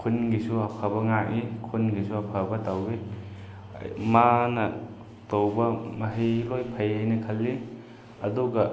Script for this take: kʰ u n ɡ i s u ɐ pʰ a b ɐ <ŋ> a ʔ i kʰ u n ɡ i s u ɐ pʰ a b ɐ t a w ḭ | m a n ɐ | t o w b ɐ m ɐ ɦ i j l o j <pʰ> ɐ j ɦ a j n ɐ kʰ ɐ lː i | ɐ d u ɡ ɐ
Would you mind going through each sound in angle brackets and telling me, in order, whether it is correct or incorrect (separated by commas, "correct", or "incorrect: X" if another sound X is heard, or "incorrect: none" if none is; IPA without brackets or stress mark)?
correct, correct